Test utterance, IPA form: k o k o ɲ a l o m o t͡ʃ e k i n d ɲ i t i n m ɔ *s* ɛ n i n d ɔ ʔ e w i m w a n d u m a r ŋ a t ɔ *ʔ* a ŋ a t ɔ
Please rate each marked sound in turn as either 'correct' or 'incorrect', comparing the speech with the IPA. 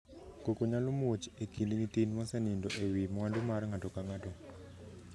correct, incorrect: k

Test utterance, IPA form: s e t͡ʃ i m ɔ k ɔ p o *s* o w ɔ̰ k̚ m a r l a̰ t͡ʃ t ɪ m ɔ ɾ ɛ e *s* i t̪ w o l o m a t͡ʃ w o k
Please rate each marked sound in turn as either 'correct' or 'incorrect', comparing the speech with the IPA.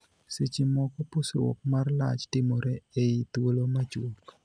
correct, incorrect: none

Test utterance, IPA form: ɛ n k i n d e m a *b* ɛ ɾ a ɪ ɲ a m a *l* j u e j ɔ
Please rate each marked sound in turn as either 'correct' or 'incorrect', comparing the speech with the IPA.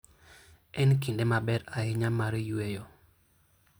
correct, incorrect: ɾ

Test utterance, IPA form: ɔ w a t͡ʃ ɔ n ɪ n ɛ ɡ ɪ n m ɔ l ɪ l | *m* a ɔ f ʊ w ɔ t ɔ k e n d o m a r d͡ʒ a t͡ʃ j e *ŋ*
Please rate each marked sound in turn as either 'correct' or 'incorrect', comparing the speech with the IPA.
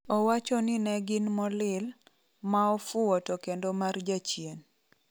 correct, incorrect: n

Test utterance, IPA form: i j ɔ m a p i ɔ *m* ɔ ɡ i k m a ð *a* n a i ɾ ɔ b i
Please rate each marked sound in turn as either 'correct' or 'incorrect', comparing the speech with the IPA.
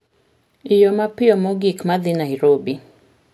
correct, incorrect: i

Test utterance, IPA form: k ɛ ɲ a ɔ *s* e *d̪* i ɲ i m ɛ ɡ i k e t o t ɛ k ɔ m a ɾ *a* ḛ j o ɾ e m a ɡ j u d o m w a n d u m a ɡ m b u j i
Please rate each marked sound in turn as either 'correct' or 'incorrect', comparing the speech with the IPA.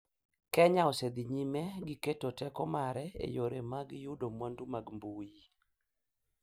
correct, correct, incorrect: ɛ

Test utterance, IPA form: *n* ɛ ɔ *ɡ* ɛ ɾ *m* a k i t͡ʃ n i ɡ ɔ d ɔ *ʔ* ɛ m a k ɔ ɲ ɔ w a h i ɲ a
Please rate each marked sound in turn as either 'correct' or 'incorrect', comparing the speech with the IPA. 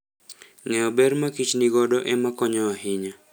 incorrect: ŋ, incorrect: b, correct, correct

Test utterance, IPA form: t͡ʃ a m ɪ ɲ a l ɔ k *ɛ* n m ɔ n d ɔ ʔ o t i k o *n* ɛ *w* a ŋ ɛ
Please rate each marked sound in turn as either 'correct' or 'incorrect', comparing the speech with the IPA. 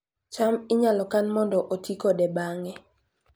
incorrect: a, incorrect: d, incorrect: b

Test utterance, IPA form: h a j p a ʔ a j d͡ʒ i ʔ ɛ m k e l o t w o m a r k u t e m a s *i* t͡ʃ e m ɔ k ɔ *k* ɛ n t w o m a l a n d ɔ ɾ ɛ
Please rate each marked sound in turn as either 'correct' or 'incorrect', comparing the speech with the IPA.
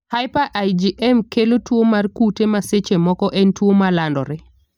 incorrect: e, incorrect: ʔ

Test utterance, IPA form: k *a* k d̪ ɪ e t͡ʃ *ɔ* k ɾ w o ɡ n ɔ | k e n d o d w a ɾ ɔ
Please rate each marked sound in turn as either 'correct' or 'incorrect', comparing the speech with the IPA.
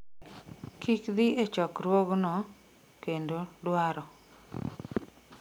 incorrect: i, correct

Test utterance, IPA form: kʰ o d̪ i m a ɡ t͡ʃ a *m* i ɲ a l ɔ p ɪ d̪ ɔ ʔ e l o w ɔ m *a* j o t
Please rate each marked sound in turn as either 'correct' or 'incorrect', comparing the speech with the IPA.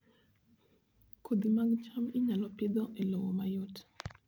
correct, correct

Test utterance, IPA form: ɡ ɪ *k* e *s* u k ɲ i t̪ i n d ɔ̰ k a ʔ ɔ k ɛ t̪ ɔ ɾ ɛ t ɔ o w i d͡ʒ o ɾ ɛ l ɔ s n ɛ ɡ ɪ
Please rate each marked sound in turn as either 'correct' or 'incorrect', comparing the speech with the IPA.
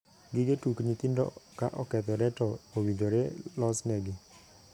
incorrect: ɡ, incorrect: t

